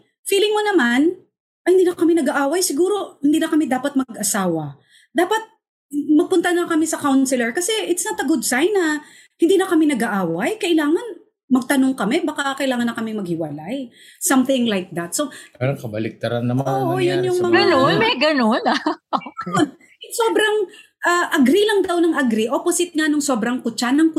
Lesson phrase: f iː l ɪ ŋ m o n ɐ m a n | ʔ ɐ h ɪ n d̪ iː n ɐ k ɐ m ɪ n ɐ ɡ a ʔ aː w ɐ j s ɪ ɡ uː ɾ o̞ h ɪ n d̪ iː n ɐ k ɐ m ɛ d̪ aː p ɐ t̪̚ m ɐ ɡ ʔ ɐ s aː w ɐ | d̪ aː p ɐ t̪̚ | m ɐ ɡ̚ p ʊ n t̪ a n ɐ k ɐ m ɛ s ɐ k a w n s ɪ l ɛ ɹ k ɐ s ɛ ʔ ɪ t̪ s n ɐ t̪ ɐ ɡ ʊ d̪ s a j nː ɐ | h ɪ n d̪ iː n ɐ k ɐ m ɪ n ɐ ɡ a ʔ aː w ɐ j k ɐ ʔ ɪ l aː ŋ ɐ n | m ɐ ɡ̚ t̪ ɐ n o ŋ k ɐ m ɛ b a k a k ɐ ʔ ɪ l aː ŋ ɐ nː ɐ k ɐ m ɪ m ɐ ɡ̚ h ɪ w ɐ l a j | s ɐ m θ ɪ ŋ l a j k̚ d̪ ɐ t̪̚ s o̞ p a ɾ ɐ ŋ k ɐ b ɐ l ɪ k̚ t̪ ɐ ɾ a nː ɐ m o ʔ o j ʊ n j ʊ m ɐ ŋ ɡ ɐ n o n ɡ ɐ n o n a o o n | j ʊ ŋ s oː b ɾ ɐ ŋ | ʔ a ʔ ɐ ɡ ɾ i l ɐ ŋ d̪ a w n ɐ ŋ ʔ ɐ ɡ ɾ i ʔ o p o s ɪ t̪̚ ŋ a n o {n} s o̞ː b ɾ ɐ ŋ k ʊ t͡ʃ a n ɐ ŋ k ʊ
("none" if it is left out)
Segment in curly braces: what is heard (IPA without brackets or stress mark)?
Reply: ŋ